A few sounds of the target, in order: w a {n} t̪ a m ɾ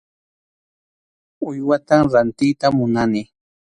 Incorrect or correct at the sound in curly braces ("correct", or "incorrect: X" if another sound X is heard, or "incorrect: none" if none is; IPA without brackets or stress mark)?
incorrect: none